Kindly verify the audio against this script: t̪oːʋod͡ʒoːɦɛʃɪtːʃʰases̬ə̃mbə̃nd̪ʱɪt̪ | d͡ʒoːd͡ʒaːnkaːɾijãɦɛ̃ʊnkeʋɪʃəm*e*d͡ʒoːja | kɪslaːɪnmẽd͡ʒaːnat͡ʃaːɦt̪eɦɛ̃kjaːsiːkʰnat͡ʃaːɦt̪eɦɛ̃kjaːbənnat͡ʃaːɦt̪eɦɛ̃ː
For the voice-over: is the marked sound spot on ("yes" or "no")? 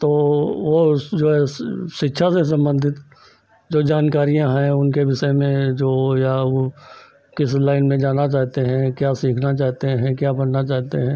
no